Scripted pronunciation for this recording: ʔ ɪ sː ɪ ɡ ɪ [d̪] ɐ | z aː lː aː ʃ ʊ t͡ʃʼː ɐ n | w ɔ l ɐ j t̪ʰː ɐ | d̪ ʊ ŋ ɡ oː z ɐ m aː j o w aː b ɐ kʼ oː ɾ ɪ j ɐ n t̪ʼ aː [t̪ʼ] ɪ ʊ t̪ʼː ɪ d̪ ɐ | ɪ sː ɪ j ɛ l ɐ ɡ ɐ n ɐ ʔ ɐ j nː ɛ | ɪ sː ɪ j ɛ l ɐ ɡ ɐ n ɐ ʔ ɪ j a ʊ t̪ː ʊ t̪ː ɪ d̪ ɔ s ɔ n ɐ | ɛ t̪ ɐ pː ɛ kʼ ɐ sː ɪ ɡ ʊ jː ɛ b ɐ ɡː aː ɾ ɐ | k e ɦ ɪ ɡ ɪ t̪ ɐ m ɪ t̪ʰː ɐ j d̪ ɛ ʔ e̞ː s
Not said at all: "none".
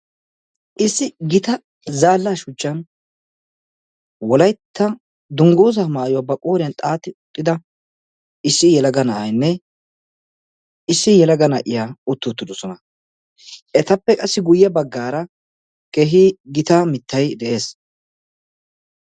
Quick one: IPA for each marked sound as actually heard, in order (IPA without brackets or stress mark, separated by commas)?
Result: t̪, t̪